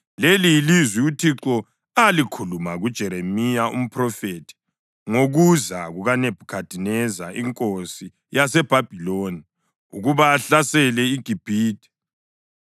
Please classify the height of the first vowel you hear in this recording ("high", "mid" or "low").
mid